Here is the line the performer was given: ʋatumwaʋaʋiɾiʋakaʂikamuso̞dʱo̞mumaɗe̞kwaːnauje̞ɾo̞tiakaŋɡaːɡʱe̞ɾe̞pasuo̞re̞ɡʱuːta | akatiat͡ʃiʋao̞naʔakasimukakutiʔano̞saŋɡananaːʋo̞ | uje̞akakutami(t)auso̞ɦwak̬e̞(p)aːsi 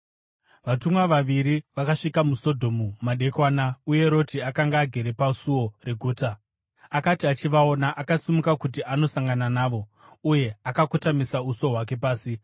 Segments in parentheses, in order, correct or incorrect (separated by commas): incorrect, correct